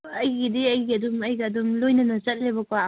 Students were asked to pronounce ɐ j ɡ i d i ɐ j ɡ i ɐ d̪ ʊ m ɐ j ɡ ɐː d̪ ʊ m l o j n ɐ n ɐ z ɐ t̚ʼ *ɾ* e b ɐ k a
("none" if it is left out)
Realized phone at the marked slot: l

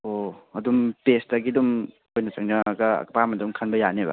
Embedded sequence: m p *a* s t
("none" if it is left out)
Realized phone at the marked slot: e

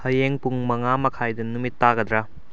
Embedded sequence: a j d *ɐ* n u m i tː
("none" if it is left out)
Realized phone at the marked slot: ɐ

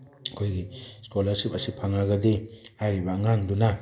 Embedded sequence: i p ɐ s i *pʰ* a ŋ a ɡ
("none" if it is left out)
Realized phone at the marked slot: pʰ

